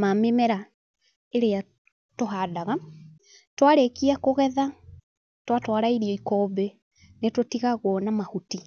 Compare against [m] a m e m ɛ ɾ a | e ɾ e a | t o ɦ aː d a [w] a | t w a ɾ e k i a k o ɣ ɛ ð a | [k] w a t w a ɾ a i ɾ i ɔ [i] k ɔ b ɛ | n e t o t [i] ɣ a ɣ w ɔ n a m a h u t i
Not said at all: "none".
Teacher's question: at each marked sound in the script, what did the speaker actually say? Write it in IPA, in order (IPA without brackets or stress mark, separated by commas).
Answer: m, ɣ, t, i, i